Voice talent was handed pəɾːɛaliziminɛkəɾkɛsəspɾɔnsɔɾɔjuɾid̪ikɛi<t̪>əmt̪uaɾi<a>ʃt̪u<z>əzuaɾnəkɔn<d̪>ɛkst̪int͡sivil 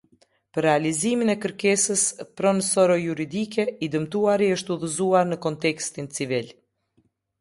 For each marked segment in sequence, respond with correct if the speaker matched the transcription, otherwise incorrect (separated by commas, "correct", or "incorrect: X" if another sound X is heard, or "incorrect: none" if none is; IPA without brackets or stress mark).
incorrect: d̪, incorrect: ə, incorrect: ð, incorrect: t̪